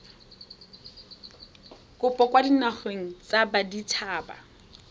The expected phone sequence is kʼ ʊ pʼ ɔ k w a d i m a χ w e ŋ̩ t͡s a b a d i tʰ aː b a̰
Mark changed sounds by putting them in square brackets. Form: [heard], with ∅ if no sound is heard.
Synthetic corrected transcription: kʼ ʊ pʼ ɔ k w a d i [n] a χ w e ŋ̩ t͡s a b a d i tʰ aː b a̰